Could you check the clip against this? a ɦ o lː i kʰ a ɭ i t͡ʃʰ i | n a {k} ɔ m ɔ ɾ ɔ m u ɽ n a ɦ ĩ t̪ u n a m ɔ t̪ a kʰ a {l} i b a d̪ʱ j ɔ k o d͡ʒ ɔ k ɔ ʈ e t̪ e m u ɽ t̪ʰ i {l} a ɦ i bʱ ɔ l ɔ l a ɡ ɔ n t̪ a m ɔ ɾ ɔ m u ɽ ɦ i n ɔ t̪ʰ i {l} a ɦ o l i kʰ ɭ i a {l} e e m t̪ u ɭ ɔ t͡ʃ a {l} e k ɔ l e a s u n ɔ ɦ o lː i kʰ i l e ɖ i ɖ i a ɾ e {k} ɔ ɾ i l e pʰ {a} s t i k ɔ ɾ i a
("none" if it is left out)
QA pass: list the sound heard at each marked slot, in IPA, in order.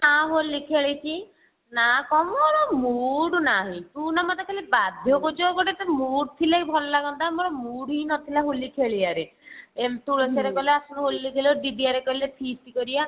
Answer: k, l, l, l, ɾ, ɾ, k, i

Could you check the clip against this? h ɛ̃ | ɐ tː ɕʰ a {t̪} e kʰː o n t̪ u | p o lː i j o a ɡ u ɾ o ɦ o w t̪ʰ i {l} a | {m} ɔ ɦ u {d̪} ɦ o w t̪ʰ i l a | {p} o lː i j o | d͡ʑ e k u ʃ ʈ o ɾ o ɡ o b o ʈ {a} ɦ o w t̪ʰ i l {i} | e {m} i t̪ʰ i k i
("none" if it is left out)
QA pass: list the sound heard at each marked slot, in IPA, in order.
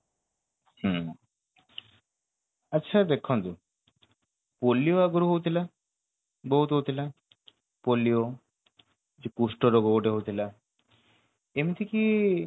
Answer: d̪, l, b, t̪, p, e, a, m

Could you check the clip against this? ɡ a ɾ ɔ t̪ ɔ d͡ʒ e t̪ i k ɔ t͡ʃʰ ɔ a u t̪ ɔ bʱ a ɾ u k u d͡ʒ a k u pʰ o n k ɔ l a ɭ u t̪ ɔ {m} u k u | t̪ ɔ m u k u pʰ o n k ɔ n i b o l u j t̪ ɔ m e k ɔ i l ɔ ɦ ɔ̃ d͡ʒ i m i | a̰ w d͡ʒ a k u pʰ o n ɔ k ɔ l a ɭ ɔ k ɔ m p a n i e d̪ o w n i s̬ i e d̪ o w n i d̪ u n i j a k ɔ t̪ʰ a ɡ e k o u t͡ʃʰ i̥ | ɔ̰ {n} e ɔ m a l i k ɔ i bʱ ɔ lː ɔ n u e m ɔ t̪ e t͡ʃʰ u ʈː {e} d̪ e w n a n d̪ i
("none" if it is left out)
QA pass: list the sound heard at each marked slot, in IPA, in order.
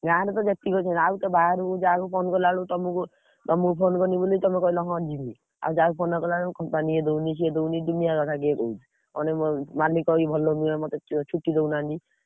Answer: m, n, i

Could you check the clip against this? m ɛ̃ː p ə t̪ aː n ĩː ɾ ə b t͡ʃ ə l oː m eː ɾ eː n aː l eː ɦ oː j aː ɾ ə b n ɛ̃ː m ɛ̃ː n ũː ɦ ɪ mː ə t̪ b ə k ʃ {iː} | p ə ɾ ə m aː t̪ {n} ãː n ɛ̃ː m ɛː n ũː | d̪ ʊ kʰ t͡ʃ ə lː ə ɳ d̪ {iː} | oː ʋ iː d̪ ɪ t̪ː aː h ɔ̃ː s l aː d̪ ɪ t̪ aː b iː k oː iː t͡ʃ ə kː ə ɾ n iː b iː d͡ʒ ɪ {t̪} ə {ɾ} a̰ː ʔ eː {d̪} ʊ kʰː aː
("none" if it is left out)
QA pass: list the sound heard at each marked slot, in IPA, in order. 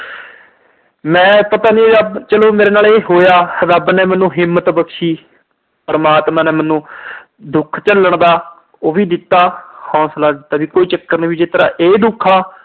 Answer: iː, m, aː, t̪, ɾ, d̪

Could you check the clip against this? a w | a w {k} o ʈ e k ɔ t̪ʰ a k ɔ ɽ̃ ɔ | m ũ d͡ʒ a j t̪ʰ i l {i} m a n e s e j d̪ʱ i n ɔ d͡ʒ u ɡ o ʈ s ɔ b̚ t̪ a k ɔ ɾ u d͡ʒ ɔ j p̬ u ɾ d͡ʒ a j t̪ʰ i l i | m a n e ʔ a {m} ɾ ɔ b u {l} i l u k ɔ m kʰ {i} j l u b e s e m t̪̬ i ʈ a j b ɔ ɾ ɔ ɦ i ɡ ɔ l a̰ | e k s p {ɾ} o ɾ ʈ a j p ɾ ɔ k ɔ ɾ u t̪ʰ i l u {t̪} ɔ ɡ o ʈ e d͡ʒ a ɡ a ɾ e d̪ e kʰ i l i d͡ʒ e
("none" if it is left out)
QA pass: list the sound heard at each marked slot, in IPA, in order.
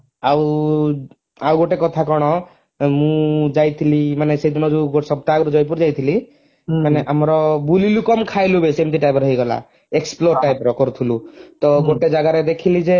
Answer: ɡ, i, m, l, a, l, t̪

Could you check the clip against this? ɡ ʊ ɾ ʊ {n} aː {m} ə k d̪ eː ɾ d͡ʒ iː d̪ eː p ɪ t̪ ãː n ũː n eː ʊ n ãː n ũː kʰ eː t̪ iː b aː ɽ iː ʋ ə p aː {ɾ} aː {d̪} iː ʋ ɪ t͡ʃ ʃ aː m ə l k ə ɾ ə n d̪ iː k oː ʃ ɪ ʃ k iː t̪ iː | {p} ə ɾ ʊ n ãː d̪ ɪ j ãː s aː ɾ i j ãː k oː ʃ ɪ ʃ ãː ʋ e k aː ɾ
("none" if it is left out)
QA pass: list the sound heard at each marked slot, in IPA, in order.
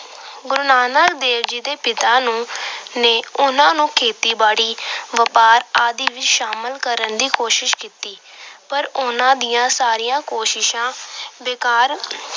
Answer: n, n, ɾ, d̪, p

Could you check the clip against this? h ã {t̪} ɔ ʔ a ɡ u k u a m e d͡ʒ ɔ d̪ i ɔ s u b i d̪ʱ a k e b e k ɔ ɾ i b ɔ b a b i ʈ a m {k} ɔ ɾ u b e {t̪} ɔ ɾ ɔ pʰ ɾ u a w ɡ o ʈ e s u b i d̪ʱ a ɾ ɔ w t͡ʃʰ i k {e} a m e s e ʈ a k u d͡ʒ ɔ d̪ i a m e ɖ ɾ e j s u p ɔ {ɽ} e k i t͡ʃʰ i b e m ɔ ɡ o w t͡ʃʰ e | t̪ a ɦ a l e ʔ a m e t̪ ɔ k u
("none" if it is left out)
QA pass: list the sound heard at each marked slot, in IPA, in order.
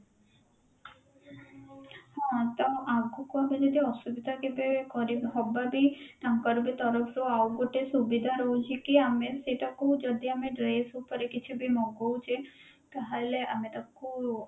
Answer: t̪, k, t̪, i, ɾ

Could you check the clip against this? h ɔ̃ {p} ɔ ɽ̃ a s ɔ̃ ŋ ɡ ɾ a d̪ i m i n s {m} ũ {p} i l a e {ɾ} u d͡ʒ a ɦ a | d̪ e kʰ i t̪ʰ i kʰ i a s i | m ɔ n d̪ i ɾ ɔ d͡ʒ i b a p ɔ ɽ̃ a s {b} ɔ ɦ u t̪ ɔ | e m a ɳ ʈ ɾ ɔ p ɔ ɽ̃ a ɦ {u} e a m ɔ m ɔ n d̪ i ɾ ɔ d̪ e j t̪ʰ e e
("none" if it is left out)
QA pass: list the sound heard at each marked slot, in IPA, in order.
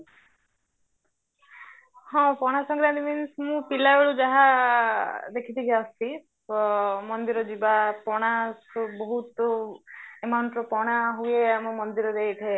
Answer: p, m, p, ɭ, b, u

